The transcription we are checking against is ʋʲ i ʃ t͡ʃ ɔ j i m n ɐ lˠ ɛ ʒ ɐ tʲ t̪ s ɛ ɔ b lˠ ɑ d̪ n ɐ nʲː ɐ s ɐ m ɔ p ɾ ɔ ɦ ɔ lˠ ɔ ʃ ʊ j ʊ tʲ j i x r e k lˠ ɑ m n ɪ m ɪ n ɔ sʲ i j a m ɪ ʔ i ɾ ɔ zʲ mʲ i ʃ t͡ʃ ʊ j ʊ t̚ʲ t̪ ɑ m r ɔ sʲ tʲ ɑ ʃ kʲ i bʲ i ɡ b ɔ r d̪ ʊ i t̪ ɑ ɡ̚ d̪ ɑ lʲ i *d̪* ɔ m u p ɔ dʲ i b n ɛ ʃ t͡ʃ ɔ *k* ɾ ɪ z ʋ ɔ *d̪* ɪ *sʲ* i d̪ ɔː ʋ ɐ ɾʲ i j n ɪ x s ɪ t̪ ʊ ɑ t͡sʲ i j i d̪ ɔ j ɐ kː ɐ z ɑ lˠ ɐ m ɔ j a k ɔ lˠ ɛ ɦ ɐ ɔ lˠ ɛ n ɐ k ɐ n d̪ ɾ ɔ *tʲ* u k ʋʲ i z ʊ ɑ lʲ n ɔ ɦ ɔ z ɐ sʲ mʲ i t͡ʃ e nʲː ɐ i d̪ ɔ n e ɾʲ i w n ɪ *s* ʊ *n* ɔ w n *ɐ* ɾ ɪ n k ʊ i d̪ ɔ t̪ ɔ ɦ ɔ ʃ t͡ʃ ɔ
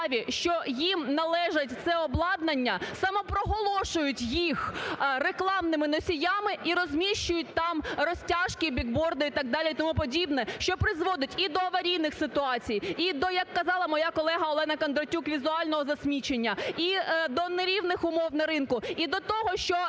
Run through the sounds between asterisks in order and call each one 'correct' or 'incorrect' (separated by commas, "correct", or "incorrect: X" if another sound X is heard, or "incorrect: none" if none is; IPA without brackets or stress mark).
incorrect: t̪, incorrect: p, correct, incorrect: tʲ, correct, incorrect: x, incorrect: m, correct